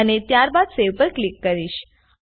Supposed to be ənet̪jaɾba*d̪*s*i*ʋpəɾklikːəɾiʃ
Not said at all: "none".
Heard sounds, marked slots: d̪, e

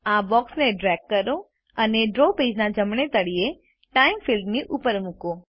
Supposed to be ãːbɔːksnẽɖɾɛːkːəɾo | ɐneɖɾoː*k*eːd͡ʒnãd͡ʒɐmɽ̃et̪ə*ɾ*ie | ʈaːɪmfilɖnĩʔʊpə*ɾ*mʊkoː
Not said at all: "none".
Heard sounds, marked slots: p, ɽ, ɾ

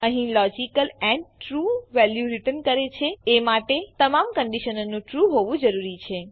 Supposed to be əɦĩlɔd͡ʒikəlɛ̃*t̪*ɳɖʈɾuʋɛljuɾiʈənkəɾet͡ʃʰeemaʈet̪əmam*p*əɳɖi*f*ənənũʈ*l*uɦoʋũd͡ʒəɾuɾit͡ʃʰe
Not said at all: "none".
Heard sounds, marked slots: none, k, ʃ, ɾ

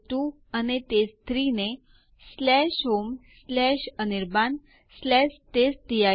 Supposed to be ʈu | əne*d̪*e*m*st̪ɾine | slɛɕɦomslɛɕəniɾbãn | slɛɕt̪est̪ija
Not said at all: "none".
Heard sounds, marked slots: t̪, none

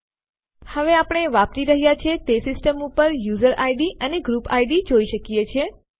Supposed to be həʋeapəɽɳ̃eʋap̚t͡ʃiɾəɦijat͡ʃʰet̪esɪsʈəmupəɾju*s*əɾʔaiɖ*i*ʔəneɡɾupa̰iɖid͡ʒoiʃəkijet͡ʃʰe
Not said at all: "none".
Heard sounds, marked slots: z, i

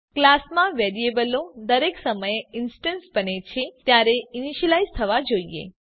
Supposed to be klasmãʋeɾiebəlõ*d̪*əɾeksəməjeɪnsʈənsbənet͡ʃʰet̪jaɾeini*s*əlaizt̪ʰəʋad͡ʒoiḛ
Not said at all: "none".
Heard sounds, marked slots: d̪, ʃ

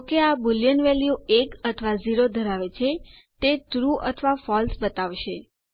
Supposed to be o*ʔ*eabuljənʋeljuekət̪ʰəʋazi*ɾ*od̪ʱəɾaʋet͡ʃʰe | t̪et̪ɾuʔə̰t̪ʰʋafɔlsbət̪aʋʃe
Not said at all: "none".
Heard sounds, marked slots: k, ɾ

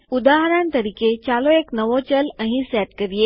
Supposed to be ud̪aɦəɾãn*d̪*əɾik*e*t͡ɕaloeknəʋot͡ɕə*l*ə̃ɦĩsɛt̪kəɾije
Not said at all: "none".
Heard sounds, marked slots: t̪, e, l

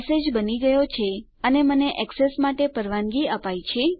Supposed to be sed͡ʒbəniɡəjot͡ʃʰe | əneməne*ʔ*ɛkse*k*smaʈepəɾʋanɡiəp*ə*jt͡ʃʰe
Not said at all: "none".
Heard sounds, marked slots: ʔ, none, a

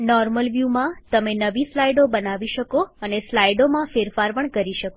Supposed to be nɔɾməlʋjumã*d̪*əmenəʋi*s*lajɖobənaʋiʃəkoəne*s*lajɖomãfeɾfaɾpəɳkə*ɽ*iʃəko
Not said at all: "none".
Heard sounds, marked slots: t̪, s, s, ɾ

